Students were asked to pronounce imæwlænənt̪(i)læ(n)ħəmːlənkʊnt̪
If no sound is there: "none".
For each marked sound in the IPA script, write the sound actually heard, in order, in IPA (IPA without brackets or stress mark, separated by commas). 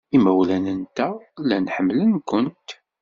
æ, n